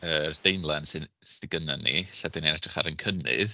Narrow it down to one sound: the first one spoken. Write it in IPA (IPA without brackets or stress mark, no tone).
ə